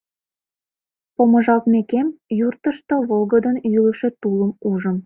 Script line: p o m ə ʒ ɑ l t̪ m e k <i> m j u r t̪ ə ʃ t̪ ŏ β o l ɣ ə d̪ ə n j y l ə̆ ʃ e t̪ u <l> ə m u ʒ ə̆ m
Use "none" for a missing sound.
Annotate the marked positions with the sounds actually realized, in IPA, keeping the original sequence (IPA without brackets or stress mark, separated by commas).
e, l